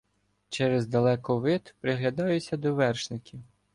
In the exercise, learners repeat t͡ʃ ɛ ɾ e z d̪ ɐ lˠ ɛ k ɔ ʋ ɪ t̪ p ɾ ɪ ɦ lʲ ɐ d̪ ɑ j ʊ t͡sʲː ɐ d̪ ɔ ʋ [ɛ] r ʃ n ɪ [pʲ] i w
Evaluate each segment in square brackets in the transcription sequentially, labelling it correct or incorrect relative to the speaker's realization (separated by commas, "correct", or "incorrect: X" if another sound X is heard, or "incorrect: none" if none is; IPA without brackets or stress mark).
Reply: correct, incorrect: kʲ